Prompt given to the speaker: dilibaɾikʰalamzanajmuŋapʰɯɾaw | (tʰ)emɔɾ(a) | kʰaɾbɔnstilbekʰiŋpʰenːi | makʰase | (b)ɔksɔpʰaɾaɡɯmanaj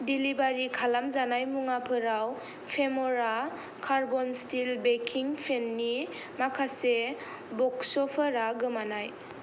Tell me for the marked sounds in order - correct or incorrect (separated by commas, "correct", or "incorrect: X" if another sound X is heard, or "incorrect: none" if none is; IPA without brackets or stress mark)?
incorrect: pʰ, correct, correct